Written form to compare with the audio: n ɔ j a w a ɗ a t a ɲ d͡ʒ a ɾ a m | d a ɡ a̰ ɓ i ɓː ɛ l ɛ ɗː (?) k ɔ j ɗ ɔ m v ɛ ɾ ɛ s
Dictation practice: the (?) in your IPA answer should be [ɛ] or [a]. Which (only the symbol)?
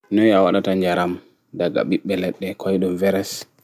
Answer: ɛ